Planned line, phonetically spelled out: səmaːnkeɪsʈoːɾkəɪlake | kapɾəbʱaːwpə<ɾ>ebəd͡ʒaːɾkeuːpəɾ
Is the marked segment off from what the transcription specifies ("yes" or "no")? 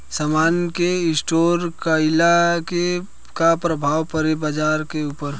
no